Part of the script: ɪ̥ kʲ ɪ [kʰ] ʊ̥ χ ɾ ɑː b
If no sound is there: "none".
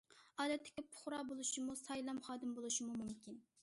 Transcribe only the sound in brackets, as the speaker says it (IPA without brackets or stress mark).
pʰ